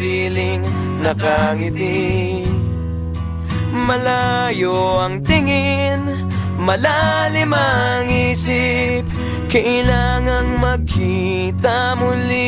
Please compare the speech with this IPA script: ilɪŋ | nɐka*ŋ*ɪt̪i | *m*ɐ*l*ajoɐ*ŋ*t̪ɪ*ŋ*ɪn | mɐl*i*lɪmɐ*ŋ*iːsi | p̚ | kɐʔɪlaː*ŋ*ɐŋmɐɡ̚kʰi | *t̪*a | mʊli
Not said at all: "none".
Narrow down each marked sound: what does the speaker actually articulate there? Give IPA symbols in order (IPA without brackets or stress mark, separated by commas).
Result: ŋ, m, l, ŋ, ŋ, a, ŋ, ŋ, t̪